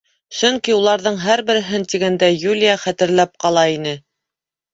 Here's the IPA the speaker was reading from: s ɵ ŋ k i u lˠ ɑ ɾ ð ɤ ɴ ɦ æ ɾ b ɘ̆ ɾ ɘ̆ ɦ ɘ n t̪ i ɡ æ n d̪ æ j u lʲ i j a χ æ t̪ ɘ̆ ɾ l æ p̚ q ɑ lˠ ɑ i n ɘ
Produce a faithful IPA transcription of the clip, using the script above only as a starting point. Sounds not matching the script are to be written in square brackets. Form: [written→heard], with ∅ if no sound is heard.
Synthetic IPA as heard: s ɵ ŋ k i u lˠ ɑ ɾ ð ɤ ɴ ɦ æ ɾ b ɘ̆ ɾ ɘ̆ ɦ ɘ n t̪ i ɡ æ n d̪ æ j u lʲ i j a χ æ t̪ ɘ̆ ɾ l æ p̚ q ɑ lˠ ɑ i n ɘ